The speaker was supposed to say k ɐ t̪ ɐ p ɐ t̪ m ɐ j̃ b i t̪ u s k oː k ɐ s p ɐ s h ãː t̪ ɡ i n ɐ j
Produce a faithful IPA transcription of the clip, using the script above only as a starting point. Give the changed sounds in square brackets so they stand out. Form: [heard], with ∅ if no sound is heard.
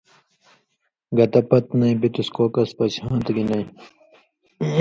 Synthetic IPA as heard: [ɡ] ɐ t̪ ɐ p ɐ t̪ [n] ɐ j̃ b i t̪ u s k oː k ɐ s p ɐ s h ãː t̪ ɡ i n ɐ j

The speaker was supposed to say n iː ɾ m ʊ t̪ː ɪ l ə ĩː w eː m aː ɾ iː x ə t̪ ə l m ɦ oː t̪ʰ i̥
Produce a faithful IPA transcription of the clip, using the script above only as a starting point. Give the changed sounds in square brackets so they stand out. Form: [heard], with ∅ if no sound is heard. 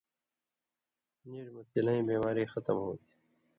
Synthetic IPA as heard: n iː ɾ m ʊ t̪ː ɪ l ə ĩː [b] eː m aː ɾ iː x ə t̪ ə [∅] m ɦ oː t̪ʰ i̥

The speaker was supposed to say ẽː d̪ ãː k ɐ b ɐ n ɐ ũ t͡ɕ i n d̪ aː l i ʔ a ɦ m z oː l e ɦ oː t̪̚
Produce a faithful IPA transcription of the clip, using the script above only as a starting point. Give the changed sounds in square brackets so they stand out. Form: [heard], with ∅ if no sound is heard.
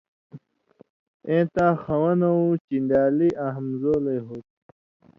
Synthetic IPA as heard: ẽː [t̪] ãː [x] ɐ [w] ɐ n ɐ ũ t͡ɕ i n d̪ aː l i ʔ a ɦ m z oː l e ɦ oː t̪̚

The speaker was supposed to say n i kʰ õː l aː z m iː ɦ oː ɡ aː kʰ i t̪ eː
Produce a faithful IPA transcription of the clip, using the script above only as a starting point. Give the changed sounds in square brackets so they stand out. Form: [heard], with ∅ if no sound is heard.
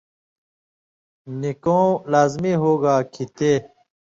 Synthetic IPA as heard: n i [k] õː l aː z m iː ɦ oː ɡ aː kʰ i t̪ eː

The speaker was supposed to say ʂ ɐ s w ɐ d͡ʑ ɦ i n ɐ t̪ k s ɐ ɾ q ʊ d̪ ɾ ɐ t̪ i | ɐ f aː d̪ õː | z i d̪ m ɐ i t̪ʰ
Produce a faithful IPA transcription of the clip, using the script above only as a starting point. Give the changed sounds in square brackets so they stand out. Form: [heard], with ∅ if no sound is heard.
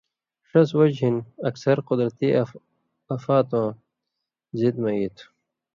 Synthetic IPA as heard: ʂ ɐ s w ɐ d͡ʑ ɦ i n ɐ [∅] k s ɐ ɾ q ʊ d̪ ɾ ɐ t̪ i | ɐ f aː [t̪] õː | z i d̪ m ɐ i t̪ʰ

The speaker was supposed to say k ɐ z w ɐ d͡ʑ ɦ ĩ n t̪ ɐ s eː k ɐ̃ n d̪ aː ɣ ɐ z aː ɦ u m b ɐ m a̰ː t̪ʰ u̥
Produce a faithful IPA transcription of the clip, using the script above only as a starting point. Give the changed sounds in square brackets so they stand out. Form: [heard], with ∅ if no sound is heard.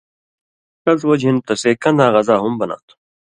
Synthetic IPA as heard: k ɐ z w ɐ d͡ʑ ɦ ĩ n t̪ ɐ s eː k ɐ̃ n d̪ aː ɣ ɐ z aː ɦ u m b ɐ [n] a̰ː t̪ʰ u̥

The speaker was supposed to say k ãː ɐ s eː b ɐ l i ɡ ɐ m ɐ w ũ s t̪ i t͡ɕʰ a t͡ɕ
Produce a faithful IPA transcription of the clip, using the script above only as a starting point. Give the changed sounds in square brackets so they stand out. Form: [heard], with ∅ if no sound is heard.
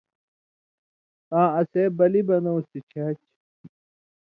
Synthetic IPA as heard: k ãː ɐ s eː b ɐ l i [b] ɐ [n] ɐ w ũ s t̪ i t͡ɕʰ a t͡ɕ

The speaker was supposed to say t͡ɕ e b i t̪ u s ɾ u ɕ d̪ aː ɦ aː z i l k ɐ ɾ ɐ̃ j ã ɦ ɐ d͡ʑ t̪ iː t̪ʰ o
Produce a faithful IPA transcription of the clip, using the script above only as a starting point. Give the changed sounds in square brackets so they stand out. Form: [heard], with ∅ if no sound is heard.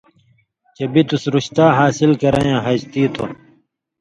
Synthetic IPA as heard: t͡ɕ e b i t̪ u s ɾ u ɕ [t̪] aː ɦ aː [s] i l k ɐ ɾ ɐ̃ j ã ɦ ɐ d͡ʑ t̪ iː t̪ʰ o

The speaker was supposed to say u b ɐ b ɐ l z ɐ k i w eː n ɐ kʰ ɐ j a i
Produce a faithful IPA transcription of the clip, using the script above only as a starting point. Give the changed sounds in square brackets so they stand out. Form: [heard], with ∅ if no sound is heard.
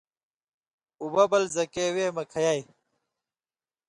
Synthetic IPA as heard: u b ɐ b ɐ l z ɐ k [e] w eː [m] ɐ kʰ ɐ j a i

